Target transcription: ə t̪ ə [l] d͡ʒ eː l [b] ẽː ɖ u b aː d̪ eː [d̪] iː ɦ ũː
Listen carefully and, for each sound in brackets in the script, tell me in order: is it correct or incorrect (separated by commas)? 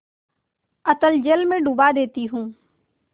correct, incorrect, incorrect